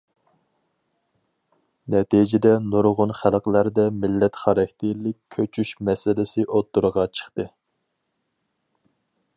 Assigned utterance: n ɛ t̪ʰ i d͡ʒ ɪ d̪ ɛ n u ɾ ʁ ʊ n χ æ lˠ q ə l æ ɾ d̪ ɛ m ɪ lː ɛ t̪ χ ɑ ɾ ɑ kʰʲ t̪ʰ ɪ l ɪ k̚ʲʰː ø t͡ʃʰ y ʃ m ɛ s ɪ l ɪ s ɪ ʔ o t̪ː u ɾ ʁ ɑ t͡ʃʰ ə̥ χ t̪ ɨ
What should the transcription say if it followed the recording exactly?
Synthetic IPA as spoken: n ɛ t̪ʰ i d͡ʒ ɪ d̪ ɛ n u ɾ ʁ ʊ n χ æ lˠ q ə l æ ɾ d̪ ɛ m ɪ lː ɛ t̪ χ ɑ ɾ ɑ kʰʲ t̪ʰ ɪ l ɪ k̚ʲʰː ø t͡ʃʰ y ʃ m ɛ s ɪ l ɪ s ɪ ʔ o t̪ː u ɾ ʁ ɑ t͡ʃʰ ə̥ χ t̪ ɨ

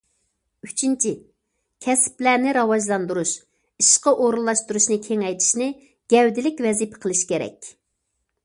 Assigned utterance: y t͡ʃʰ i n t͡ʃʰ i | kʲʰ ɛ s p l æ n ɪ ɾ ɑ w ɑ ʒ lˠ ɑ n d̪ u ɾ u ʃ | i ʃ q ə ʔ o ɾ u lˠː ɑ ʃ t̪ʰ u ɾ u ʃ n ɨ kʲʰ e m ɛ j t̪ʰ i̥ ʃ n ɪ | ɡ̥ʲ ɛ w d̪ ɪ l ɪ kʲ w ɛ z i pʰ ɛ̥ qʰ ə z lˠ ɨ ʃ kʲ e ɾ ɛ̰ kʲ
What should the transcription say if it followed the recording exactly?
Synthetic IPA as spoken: y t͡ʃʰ i n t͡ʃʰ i | kʲʰ ɛ s p l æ n ɪ ɾ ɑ w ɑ ʒ lˠ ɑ n d̪ u ɾ u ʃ | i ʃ q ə ʔ o ɾ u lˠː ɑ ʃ t̪ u ɾ u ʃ n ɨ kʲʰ e ŋ ɛ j t̪ʰ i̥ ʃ n ɪ | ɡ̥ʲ ɛ w d̪ ɪ l ɪ kʲ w ɛ z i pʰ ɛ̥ qʰ ə lˠ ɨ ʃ kʲ e ɾ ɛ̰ kʲ

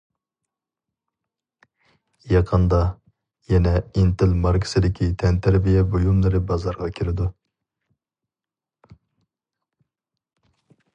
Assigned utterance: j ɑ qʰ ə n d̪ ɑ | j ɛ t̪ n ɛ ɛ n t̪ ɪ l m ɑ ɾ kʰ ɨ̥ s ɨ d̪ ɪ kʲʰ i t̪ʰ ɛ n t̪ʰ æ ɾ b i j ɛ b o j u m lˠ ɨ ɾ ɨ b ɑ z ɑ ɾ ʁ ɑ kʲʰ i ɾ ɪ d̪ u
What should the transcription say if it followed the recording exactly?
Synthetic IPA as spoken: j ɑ qʰ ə n d̪ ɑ | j ɛ n ɛ i n t̪ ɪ l m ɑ ɾ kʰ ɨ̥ s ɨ d̪ ɪ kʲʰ i t̪ʰ ɛ n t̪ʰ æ ɾ b i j ɛ b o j u m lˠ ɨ ɾ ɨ b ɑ z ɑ ɾ ʁ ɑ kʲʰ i ɾ ɪ d̪ u

